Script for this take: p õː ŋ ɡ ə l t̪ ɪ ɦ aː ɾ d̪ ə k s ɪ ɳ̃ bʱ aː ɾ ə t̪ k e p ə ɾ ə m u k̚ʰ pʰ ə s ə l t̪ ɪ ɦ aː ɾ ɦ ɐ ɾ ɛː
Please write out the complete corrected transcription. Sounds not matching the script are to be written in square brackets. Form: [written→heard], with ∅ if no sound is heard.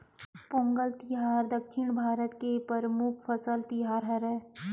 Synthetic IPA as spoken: p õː ŋ ɡ ə l t̪ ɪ ɦ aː ɾ d̪ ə k [s→ʃ] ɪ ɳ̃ bʱ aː ɾ ə t̪ k e p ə ɾ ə m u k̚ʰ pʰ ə s ə l t̪ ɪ ɦ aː ɾ ɦ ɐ ɾ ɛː